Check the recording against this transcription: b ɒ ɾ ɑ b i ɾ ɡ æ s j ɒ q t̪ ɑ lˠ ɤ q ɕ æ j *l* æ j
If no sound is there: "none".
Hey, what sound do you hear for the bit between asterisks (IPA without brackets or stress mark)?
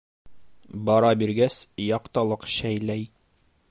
l